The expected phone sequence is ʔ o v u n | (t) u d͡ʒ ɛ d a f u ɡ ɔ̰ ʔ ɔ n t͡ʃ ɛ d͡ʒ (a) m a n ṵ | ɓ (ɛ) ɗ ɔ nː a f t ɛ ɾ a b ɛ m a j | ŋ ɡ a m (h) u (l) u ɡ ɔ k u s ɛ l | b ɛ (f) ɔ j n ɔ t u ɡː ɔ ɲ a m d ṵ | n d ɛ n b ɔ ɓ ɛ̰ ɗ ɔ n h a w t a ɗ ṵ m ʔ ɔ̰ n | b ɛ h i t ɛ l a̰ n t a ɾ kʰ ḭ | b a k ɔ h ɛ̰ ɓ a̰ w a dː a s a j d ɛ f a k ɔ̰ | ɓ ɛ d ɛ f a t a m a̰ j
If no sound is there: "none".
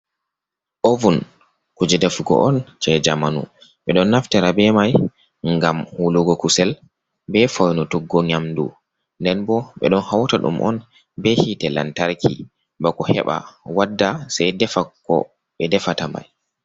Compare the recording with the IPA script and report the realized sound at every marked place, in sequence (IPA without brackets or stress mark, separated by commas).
k, a, ɛ, h, l, f